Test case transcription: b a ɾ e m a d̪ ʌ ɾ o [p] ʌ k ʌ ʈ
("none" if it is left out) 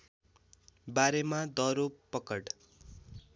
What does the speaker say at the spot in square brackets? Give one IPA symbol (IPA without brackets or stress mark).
p